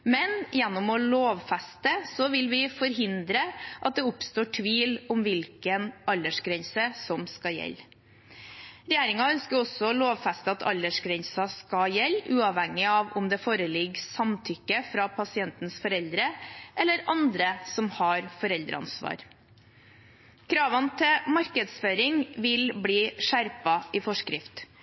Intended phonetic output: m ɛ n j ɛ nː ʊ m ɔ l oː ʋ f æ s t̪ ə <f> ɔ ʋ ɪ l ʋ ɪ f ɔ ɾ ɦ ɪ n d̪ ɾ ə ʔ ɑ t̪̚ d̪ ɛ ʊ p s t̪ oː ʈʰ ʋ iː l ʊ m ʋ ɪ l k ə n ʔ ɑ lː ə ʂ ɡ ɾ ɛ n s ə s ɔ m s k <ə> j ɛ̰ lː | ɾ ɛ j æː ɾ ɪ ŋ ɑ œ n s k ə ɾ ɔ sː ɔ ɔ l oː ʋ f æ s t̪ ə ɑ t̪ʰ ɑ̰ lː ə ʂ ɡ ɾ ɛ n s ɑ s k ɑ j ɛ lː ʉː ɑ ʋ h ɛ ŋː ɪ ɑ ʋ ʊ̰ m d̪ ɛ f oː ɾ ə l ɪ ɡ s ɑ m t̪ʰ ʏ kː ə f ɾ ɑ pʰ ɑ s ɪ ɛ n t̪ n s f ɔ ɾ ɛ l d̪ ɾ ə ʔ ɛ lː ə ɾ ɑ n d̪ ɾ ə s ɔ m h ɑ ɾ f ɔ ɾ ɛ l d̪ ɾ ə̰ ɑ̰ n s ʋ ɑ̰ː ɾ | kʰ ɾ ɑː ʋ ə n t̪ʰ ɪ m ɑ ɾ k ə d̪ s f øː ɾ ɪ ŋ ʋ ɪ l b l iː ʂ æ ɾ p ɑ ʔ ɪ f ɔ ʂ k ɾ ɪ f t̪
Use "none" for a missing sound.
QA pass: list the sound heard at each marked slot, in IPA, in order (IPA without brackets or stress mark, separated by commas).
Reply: s, ɑ